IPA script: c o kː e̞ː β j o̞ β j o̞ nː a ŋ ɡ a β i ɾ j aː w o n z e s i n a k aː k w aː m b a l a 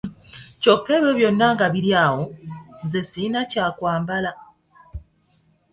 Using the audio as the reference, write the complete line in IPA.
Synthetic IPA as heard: c o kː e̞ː β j o̞ β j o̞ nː a ŋ ɡ a β i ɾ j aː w o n z e s i n a c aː k w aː m b a l a